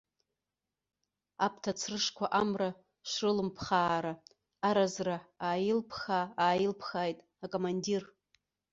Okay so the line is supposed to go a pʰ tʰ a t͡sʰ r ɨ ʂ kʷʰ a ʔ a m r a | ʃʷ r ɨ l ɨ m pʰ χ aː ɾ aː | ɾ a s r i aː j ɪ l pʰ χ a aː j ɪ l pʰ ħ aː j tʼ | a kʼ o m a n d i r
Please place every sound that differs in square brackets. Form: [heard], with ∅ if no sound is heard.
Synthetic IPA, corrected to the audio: a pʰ tʰ a t͡sʰ r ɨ ʂ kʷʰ a ʔ a m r a | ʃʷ r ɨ l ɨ m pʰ χ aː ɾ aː | ɾ a [z] r [a] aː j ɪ l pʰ χ a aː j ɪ l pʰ [χ] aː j tʼ | a kʼ o m a n d i r